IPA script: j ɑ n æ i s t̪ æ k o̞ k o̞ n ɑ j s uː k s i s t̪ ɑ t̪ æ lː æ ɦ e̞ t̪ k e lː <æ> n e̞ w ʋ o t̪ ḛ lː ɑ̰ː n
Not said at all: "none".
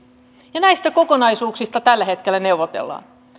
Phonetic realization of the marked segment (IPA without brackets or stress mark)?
æ